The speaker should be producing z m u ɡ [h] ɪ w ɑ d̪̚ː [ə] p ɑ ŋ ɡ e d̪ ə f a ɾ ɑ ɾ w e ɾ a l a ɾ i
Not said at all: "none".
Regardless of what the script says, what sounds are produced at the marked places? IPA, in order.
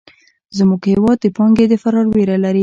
h, ə

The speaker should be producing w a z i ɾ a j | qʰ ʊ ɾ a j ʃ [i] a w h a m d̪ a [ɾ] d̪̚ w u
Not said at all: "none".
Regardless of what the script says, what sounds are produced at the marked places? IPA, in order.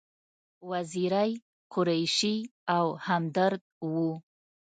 i, ɾ

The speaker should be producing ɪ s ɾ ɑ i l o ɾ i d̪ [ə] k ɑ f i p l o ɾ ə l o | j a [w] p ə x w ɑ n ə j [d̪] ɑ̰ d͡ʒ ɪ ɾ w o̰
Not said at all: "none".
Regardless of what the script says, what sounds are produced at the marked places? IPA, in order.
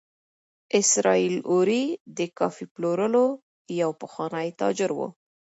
ə, w, t̪

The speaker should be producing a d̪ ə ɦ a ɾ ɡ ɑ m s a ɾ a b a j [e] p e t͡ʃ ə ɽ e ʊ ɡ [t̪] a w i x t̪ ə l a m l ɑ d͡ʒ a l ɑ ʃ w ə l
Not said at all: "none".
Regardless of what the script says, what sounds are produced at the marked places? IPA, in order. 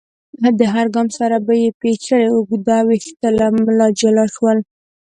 e, d̪

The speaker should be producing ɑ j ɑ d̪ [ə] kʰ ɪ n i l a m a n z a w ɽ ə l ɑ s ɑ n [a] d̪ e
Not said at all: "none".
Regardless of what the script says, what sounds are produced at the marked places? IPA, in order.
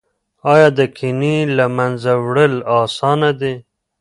ə, a

